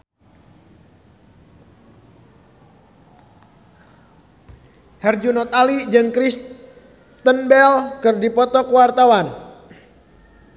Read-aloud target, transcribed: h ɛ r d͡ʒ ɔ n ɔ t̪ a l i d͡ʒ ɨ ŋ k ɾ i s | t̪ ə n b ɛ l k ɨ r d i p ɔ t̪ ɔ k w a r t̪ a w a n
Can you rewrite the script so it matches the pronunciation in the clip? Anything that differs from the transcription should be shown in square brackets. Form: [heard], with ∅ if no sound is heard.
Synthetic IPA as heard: h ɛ r d͡ʒ [u] n ɔ t̪ a l i d͡ʒ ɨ ŋ k ɾ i s | t̪ ə n b ɛ l k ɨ r d i p ɔ t̪ ɔ k w a r t̪ a w a n